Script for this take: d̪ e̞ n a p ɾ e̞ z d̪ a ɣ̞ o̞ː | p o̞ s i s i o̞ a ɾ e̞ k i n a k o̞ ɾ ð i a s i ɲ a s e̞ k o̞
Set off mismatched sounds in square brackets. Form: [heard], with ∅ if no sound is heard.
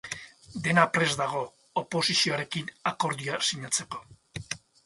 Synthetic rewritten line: d̪ e̞ n a p ɾ e̞ z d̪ a ɣ̞ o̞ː | p o̞ s i s i o̞ a ɾ e̞ k i n a k o̞ ɾ ð i a s i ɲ a [t͡s] e̞ k o̞